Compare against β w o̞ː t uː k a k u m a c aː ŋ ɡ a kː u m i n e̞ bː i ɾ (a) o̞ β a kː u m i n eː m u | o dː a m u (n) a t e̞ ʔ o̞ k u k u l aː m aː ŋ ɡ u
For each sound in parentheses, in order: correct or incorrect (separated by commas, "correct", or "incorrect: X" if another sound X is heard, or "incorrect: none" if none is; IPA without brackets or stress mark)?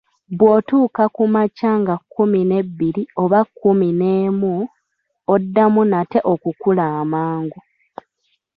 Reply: incorrect: i, correct